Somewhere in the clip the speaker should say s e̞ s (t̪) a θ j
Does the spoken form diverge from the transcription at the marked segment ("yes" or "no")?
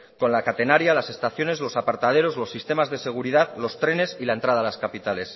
no